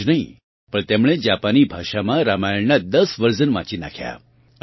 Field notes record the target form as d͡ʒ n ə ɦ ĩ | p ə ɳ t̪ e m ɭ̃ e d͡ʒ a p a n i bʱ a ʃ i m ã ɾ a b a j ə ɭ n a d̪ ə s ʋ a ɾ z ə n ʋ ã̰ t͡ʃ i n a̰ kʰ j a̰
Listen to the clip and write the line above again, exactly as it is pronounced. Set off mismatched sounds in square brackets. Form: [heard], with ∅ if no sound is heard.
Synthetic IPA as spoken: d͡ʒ n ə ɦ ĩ | p ə ɳ t̪ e m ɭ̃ e d͡ʒ a p a n i bʱ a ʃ [a] m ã ɾ a [m] a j ə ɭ n a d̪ ə s ʋ [ə] ɾ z ə n ʋ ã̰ t͡ʃ i n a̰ kʰ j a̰